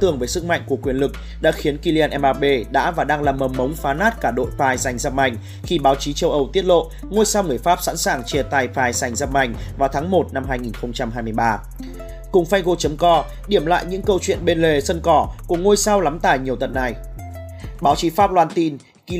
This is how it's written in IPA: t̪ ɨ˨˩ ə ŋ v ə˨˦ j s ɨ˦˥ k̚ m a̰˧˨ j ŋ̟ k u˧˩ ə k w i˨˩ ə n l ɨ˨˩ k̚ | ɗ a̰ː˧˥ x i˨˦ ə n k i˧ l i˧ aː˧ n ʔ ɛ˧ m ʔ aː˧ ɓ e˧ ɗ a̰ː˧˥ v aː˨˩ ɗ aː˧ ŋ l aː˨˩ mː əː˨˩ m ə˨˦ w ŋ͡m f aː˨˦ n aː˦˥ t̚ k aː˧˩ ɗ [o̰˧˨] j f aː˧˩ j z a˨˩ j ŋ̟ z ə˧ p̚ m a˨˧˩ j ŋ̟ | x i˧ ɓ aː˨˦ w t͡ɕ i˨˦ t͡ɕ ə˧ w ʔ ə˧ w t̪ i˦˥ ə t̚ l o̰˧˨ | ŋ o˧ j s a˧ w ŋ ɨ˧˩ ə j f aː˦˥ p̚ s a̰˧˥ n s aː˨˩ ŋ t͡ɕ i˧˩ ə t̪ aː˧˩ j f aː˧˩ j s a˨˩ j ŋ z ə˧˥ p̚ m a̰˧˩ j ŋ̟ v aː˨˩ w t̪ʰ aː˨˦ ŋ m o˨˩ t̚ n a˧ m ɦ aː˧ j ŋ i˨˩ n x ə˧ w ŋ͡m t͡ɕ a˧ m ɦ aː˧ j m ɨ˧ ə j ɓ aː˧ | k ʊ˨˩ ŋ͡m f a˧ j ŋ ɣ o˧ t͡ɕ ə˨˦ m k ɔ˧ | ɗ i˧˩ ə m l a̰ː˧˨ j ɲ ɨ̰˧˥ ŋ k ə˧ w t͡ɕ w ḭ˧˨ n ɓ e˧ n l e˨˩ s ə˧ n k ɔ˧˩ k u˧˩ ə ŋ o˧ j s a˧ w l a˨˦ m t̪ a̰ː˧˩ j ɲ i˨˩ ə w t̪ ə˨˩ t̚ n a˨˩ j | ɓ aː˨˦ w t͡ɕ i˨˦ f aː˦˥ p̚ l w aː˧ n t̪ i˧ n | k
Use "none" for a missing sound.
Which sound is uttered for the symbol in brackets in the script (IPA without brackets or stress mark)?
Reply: o̰˧˨